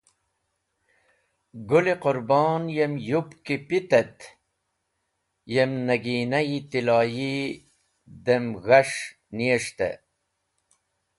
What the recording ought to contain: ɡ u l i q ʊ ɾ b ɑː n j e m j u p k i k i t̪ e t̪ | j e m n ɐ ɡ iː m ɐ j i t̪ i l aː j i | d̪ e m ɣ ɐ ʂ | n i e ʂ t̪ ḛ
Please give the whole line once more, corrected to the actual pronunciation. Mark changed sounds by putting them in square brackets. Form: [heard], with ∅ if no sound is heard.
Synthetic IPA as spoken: ɡ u l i q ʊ ɾ b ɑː n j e m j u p k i [p] i t̪ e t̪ | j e m n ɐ ɡ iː [n] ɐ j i t̪ i l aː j i | d̪ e m ɣ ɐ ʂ | n i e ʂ t̪ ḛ